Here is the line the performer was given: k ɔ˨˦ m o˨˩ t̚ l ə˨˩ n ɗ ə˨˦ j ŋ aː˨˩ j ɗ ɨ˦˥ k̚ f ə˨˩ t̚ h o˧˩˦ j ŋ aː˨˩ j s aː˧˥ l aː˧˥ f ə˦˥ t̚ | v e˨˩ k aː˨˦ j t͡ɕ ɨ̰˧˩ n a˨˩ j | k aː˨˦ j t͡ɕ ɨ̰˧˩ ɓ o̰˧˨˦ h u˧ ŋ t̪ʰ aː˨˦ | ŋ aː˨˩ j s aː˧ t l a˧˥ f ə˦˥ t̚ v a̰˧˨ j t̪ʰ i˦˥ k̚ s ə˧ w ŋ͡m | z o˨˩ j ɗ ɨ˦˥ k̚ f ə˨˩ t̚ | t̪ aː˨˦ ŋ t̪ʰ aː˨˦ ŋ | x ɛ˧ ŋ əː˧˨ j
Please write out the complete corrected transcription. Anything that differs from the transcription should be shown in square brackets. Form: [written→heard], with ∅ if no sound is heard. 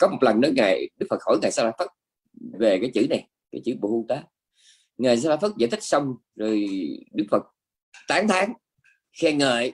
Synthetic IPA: k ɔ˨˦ m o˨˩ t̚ l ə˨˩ n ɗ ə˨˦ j ŋ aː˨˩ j ɗ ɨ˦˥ k̚ f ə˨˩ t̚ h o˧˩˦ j ŋ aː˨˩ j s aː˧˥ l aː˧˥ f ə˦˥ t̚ | v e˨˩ k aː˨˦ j t͡ɕ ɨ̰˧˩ n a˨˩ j | k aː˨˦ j t͡ɕ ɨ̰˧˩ ɓ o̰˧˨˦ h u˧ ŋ [t̪ʰ→t̪] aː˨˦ | ŋ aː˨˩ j s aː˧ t l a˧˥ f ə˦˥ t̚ [v→z] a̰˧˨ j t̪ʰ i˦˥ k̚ s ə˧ w ŋ͡m | z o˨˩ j ɗ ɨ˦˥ k̚ f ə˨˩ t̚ | t̪ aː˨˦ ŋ t̪ʰ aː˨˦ ŋ | x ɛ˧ ŋ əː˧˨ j